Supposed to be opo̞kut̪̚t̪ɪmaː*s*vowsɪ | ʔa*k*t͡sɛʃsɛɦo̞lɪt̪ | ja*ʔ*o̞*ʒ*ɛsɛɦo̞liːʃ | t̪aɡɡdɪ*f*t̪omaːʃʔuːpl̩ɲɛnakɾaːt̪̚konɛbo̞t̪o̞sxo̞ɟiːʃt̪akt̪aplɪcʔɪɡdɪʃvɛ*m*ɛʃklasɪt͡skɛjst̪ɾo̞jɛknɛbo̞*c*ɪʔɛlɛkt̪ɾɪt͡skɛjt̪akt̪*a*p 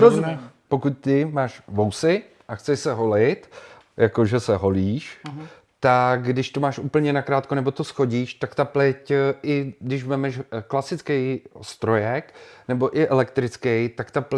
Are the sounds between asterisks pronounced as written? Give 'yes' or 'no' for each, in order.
no, no, no, yes, no, yes, no, yes

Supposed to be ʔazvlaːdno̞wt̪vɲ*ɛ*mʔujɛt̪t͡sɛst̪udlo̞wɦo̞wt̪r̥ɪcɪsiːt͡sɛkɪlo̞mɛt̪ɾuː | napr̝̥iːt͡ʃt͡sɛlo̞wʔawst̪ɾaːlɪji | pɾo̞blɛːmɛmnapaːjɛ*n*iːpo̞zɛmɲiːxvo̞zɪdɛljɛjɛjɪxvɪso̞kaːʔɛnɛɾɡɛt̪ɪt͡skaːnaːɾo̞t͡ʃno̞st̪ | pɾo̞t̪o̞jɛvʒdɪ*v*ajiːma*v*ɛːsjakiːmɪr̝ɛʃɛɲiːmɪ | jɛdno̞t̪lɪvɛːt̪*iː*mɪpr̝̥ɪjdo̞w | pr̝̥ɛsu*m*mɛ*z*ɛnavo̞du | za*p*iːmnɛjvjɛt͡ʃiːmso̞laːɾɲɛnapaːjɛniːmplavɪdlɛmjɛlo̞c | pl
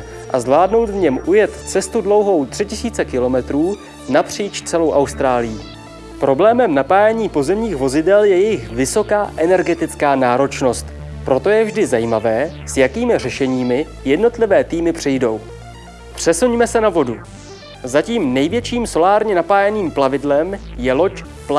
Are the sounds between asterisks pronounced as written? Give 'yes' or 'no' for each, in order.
yes, no, no, yes, yes, no, no, no

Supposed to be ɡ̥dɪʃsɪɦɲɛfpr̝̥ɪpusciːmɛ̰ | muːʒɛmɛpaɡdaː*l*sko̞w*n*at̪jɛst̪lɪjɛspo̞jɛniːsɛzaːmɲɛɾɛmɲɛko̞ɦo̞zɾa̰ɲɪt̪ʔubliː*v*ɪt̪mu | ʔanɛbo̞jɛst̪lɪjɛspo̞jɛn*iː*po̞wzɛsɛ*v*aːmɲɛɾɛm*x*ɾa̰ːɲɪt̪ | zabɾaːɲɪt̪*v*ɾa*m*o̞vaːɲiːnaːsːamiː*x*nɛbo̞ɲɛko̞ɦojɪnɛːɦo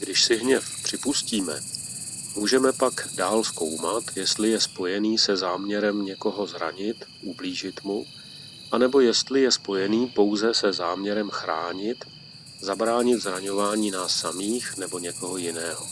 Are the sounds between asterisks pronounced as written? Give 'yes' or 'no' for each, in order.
yes, no, no, yes, no, yes, no, no, yes

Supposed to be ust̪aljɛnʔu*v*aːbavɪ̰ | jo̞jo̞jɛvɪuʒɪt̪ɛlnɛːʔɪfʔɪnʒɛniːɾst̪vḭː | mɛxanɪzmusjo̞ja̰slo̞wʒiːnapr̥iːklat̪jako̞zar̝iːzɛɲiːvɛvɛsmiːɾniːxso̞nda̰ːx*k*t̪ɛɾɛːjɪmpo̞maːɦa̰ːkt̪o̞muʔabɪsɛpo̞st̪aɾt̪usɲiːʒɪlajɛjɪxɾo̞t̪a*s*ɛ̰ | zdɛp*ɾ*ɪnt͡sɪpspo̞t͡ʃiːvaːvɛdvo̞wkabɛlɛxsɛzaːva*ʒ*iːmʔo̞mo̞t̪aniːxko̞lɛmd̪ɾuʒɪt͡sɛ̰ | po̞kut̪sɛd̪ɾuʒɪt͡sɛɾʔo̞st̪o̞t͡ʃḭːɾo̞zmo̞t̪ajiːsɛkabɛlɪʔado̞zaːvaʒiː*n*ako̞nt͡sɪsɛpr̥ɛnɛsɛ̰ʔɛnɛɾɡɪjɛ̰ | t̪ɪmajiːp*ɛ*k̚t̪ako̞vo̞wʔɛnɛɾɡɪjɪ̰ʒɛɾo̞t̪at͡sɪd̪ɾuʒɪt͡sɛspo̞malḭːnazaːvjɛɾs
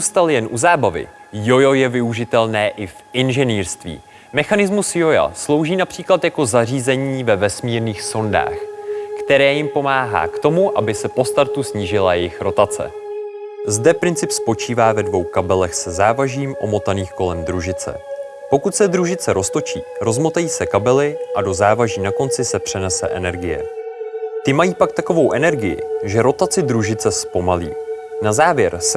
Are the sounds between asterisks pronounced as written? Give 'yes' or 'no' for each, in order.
no, yes, no, yes, yes, yes, no

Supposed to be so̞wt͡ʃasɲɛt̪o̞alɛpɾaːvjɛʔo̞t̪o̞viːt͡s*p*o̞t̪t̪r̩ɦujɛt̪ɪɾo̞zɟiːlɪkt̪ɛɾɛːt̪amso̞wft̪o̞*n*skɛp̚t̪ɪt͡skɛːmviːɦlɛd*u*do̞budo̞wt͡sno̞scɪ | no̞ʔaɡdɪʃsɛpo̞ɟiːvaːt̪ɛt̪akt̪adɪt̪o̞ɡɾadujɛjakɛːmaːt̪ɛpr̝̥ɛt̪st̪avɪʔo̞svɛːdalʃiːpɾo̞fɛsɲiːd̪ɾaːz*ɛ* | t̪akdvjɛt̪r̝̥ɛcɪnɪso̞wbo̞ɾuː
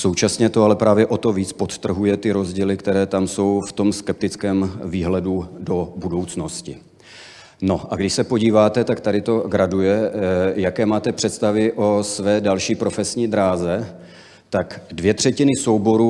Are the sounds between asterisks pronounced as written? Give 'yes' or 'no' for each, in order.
yes, no, yes, yes

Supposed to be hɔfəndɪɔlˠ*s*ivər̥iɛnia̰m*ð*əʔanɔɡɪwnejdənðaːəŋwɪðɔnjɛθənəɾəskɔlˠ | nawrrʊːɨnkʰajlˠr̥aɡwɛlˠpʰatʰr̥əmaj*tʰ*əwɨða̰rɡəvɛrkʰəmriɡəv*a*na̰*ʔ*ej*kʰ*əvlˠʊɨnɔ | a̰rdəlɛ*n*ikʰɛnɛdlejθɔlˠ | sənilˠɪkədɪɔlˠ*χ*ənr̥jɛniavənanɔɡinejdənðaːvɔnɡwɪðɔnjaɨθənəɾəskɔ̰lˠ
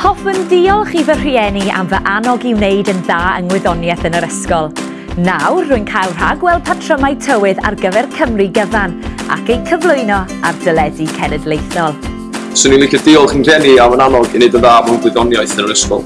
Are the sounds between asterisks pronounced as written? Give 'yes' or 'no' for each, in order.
no, no, yes, yes, no, yes, no, yes

